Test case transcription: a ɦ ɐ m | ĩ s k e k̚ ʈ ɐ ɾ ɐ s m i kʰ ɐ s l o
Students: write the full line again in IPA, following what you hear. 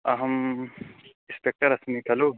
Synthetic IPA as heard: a ɦ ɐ m | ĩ s p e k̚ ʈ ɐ ɾ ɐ s m i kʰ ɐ l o

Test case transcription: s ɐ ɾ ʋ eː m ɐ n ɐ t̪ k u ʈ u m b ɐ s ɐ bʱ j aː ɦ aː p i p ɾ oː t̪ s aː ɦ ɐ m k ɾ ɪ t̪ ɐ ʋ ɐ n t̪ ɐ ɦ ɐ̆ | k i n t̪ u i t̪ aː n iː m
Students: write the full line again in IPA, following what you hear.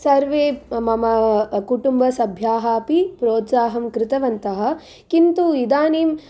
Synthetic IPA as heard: s ɐ ɾ ʋ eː m ɐ m ɐ k u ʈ u m b ɐ s ɐ bʱ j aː ɦ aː p i p ɾ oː t̪ s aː ɦ ɐ m k ɾ ɪ t̪ ɐ ʋ ɐ n t̪ ɐ ɦ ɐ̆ | k i n t̪ u i d̪ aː n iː m

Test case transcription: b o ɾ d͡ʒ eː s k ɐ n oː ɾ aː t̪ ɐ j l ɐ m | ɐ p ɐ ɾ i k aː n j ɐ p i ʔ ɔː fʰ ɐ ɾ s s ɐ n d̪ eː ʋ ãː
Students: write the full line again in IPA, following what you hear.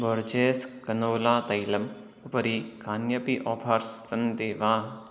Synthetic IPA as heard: b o ɾ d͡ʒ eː s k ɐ n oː l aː t̪ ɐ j l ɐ m | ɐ p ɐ ɾ i k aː n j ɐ p i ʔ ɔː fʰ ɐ ɾ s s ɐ n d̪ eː ʋ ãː

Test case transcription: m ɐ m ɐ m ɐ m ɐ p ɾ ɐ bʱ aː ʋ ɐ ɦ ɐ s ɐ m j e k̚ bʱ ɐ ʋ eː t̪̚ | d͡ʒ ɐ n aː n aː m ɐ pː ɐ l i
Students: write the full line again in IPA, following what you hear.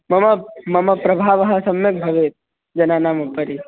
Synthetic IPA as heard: m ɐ m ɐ m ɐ m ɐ p ɾ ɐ bʱ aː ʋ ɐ ɦ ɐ s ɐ m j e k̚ bʱ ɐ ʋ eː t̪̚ | d͡ʒ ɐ n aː n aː m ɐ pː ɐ ɾ i

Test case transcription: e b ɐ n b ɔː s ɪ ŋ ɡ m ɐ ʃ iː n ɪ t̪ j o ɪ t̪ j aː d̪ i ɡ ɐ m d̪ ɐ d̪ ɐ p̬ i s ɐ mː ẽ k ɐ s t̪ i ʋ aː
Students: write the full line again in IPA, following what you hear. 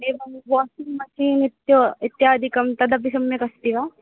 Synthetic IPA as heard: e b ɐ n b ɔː s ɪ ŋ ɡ m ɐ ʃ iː n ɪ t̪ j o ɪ t̪ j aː d̪ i k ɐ m t̪ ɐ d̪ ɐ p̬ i s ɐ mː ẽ k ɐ s t̪ i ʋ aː

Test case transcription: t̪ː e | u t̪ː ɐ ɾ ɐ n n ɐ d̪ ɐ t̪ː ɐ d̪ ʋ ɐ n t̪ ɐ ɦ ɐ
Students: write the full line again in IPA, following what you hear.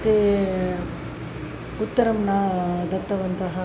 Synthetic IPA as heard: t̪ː e | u t̪ː ɐ ɾ ɐ m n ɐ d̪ ɐ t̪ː ɐ ʋ ɐ n t̪ ɐ ɦ ɐ

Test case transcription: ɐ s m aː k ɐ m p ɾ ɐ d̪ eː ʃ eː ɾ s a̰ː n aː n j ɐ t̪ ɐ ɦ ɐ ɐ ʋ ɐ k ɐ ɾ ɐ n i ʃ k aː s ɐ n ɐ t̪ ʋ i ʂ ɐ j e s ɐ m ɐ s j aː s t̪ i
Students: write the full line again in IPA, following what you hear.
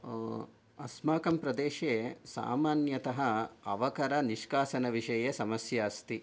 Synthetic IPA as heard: ɐ s m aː k ɐ m p ɾ ɐ d̪ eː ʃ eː s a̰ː m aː n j ɐ t̪ ɐ ɦ ɐ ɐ ʋ ɐ k ɐ ɾ ɐ n i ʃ k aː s ɐ n ɐ ʋ i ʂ ɐ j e s ɐ m ɐ s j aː s t̪ i

